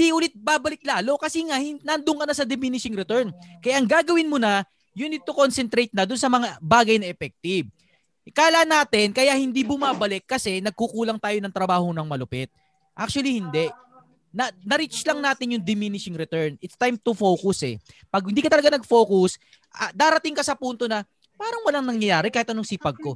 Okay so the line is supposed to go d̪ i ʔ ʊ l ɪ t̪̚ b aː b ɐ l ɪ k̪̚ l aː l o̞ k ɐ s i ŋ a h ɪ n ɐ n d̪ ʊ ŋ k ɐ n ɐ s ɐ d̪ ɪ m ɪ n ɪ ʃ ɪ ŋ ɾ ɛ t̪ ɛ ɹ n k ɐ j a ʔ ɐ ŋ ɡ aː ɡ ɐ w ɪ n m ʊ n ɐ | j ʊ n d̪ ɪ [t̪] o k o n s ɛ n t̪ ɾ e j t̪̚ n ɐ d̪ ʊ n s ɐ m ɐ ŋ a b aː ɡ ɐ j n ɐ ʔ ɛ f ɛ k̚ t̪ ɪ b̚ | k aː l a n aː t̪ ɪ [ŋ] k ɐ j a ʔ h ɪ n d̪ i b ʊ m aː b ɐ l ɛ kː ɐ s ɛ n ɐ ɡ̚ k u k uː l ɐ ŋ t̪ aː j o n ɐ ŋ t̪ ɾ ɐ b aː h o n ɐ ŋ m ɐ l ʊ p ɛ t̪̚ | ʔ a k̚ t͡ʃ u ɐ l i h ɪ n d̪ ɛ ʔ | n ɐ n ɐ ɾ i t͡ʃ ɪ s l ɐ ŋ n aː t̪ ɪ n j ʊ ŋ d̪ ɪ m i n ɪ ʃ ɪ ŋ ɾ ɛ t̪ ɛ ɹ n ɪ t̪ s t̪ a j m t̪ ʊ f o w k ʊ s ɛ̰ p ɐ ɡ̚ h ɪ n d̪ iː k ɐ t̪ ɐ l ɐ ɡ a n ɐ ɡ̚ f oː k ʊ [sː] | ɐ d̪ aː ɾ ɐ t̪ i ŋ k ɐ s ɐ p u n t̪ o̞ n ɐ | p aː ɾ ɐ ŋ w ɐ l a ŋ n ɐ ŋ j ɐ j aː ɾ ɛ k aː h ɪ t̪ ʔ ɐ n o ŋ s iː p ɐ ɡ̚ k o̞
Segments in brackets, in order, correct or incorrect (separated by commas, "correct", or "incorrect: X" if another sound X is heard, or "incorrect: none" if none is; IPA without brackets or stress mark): correct, incorrect: n, incorrect: s